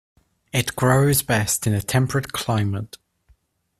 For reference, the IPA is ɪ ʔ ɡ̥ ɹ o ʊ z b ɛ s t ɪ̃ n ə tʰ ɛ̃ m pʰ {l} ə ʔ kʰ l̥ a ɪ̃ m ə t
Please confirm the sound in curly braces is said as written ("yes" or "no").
no